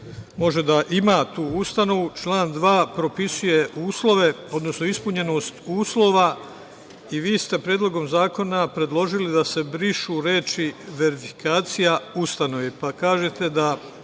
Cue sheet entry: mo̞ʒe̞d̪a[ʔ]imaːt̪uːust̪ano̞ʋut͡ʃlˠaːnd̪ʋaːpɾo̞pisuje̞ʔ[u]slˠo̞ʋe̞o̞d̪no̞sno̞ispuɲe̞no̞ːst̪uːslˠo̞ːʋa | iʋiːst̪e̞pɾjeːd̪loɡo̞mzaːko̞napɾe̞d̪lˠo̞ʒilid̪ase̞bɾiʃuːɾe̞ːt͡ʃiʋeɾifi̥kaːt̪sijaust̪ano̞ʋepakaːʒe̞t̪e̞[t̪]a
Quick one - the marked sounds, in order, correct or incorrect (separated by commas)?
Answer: correct, incorrect, incorrect